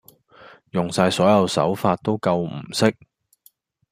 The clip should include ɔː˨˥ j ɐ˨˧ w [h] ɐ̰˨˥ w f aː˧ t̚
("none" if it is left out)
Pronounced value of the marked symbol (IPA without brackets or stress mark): s